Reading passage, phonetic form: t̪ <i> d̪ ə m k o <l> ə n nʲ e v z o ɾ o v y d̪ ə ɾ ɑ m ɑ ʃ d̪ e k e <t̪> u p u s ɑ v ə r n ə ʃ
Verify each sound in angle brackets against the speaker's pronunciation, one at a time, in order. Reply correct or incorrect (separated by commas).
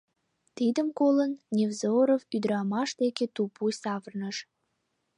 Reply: correct, correct, correct